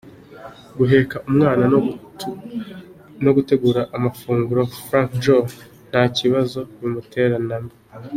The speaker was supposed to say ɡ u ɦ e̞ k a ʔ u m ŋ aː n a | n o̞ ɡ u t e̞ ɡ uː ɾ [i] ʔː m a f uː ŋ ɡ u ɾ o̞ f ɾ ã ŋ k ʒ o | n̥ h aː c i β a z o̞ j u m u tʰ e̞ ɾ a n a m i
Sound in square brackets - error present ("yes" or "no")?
yes